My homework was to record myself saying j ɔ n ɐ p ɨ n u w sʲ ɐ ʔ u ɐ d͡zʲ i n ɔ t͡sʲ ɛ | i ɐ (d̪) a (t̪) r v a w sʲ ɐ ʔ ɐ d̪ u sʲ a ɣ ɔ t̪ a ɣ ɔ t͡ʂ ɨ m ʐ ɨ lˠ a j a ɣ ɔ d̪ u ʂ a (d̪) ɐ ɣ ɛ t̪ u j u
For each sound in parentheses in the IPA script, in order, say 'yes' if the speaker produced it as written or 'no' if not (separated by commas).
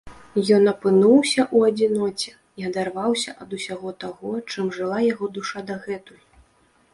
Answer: yes, no, yes